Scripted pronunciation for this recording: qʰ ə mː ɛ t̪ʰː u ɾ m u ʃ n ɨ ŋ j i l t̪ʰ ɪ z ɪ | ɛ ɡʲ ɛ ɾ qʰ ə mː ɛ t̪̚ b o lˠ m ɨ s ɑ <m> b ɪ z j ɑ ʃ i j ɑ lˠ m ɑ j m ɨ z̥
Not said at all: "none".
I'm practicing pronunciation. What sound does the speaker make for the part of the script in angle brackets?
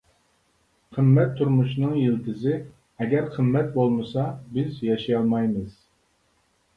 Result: none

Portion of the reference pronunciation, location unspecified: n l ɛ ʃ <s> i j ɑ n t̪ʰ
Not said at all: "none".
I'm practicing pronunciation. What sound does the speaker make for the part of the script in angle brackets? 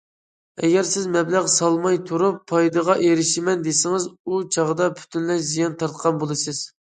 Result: z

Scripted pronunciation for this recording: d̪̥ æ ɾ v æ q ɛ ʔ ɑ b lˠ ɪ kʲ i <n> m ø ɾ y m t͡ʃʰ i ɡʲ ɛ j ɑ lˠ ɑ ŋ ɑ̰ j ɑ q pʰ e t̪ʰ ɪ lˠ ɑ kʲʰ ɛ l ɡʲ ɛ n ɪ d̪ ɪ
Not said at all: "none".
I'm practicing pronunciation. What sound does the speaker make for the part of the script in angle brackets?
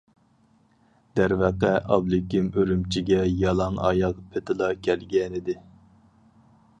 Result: none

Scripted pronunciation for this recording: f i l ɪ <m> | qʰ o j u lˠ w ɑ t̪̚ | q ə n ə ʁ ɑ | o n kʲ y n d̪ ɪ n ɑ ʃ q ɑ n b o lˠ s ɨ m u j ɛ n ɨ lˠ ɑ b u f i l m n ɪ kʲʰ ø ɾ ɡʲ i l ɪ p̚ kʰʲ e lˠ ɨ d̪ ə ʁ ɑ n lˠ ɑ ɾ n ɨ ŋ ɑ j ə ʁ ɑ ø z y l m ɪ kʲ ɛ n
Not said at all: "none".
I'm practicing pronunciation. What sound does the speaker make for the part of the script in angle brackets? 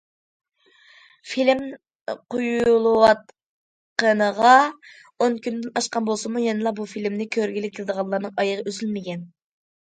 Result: m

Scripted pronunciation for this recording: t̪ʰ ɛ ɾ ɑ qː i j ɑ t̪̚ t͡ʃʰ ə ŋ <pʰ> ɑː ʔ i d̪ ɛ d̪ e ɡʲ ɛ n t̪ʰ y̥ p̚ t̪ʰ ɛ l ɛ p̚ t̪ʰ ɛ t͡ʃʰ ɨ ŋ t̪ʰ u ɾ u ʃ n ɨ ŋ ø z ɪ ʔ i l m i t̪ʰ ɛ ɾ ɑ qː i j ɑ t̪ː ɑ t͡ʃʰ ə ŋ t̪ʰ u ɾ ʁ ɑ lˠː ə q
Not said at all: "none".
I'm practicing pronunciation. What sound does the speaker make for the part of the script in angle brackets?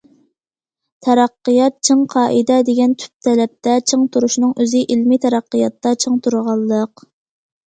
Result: qʰ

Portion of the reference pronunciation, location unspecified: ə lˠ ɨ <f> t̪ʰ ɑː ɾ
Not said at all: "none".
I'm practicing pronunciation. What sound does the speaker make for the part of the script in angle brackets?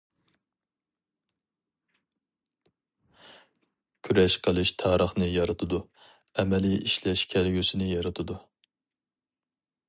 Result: ʃ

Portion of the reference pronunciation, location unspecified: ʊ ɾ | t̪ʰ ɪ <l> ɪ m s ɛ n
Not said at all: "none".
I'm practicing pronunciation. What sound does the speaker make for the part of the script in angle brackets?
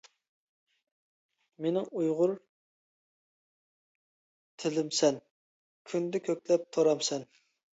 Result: l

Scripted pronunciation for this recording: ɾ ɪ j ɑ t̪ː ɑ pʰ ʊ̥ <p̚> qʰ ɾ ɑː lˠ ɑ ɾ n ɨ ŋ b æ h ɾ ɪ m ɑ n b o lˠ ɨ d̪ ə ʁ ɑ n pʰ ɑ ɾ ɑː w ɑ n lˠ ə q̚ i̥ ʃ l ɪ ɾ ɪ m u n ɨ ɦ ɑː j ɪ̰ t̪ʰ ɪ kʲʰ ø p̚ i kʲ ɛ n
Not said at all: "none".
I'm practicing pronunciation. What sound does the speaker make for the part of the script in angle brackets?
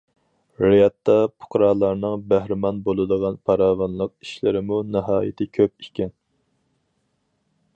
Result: none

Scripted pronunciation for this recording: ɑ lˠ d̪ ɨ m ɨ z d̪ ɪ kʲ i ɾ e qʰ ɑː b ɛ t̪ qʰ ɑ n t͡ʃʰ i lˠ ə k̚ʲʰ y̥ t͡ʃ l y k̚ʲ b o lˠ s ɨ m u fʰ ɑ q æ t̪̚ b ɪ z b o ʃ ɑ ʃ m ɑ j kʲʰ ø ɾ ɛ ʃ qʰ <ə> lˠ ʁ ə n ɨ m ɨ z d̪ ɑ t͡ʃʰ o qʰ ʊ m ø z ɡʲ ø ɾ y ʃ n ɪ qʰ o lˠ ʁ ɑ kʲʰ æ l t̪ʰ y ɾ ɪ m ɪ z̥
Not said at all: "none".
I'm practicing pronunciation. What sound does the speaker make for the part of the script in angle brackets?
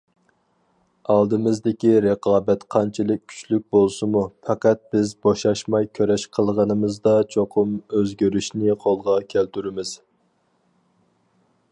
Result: ə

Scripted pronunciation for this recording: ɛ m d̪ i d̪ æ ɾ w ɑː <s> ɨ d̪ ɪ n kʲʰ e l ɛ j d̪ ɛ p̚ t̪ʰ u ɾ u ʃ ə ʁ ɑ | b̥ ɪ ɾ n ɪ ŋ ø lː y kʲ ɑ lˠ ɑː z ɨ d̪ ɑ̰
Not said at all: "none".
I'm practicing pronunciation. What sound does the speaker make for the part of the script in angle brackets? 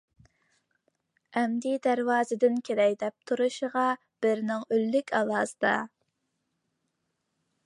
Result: z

